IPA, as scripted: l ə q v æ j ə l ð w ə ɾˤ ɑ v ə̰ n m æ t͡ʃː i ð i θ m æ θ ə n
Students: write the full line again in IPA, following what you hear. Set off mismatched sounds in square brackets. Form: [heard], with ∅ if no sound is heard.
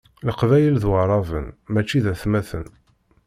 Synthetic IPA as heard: l ə q v æ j ə l ð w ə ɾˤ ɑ v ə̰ n m æ t͡ʃː i ð [æ] θ m æ θ ə n

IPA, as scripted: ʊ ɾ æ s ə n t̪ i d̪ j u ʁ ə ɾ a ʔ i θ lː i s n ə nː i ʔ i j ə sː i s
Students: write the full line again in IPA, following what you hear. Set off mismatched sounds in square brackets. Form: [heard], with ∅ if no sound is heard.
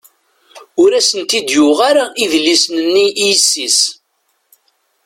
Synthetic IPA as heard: ʊ ɾ æ s ə n t̪ i d̪ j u ʁ [a] ɾ a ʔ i [ð] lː i s n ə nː i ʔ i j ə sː i s

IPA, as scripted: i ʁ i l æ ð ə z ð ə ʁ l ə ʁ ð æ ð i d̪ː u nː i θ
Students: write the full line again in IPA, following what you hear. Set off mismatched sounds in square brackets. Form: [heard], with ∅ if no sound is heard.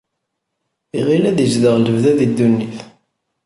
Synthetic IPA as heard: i ʁ i l æ ð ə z ð ə ʁ l ə [v] ð æ ð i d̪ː u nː i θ

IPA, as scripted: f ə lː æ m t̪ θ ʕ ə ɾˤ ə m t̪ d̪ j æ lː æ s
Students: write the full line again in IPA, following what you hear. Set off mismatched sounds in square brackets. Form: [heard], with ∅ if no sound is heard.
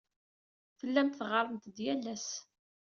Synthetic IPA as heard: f ə lː æ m t̪ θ [ʁ] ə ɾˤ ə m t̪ d̪ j æ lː æ s

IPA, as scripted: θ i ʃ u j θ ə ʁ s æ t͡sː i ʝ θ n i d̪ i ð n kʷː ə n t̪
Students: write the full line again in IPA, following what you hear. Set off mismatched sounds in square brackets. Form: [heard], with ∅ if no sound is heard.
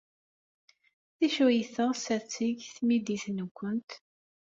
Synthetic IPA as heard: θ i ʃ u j θ ə ʁ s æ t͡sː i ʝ θ [m] i d̪ i [θ] n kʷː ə n t̪

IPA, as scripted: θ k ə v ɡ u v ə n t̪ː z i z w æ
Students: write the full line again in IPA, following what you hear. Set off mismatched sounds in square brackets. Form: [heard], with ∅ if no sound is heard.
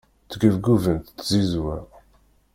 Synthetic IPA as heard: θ [ɡ] ə v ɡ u v ə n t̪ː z i z w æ

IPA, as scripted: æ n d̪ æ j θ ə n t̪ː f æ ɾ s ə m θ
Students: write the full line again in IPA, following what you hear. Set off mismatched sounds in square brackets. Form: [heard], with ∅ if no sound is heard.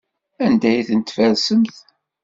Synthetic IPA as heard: æ n d̪ æ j θ ə n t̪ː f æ ɾ s ə m θ

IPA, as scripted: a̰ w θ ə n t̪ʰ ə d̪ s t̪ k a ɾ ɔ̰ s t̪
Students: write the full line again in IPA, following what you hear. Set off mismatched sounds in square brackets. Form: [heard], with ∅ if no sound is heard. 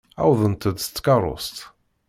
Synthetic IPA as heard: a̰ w [ð] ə n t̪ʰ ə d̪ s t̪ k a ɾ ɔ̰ s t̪

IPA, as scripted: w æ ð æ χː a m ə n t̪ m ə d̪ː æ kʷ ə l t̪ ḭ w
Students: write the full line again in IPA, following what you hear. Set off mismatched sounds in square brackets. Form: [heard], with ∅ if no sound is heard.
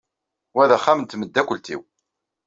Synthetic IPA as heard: w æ ð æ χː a m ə n t̪ m ə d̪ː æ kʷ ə l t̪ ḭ w

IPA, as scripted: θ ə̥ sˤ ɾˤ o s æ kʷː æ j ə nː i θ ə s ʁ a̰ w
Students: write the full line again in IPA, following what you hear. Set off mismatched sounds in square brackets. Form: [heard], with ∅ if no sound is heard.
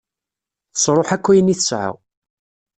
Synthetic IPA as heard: θ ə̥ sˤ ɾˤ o [ħ] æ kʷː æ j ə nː i θ ə s [ʕ] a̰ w

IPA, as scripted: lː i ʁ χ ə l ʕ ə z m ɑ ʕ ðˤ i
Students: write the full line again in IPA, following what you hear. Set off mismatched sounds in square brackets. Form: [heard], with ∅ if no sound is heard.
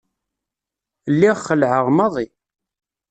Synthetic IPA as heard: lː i ʁ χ ə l ʕ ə [ʁ] m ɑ [∅] ðˤ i

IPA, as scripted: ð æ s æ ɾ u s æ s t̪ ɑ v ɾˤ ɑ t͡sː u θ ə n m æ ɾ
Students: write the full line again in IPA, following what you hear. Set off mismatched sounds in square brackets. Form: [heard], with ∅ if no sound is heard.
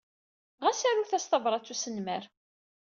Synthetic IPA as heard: [ʁ] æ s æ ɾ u [θ] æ s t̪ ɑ v ɾˤ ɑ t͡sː u [s] ə n m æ ɾ

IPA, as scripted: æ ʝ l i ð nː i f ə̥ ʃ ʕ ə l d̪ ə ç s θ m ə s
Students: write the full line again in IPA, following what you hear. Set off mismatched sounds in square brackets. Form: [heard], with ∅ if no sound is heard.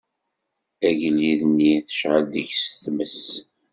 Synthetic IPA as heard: æ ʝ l i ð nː i [θ] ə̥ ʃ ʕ ə l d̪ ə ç s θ m ə s

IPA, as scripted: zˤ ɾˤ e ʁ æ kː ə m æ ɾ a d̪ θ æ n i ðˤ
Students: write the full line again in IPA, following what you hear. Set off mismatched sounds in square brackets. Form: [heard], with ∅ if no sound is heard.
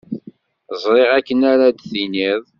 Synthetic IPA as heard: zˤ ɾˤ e ʁ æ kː ə [n] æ ɾ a d̪ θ [i] n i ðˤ

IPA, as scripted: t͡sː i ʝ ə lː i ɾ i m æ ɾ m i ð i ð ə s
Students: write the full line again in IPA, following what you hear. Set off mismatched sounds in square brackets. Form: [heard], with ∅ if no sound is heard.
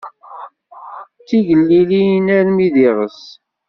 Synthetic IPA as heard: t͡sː i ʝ ə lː i [l] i [n] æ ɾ m i ð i [ʁ] ə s

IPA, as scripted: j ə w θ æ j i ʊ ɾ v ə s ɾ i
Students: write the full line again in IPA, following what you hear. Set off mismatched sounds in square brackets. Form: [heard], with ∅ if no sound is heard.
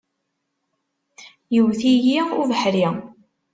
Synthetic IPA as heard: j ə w θ [i] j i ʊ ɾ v ə [ħ] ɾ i

